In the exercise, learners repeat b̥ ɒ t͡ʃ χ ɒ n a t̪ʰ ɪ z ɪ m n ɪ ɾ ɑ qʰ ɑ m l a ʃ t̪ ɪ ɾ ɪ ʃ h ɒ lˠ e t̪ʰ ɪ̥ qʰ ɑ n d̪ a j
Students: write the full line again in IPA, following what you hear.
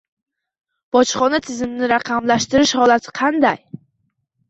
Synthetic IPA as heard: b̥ ɒ t͡ʃ χ ɒ n a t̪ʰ ɪ z ɪ m n ɪ ɾ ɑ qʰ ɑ m l a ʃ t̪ ɪ ɾ ɪ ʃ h ɒ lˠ a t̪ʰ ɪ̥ qʰ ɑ n d̪ a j